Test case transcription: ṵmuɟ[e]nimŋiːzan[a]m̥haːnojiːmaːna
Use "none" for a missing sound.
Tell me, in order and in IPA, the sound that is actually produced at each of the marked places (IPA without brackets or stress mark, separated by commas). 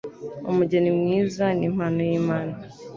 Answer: e, i